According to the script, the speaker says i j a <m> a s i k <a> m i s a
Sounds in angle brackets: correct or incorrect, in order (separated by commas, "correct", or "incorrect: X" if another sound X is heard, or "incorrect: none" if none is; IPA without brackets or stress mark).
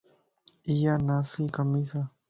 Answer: incorrect: n, correct